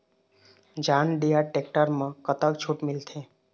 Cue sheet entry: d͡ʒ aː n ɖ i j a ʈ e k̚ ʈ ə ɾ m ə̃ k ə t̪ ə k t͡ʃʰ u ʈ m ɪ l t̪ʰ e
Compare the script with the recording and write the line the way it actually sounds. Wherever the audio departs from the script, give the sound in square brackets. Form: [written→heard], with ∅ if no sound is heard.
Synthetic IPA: d͡ʒ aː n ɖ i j a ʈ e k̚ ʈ ə ɾ m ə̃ k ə t̪ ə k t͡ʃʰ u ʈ m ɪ l t̪ʰ e